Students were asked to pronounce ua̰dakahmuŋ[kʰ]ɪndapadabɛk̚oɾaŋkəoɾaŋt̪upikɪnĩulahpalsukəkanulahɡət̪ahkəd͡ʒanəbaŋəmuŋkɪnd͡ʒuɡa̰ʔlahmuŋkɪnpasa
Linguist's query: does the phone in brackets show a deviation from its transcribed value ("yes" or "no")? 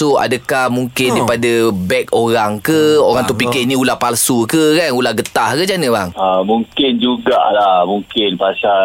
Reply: yes